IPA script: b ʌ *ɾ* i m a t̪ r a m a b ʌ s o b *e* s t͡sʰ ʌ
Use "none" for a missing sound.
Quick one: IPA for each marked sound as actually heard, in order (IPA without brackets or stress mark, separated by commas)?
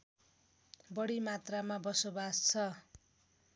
ɽ, a